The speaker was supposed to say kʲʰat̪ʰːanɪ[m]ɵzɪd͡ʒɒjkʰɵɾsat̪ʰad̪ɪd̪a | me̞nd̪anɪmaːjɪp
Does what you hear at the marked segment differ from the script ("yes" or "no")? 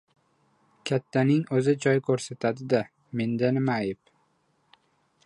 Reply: yes